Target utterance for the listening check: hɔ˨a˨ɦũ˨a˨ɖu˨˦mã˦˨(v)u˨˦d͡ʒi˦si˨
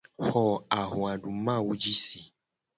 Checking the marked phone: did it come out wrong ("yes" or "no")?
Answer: yes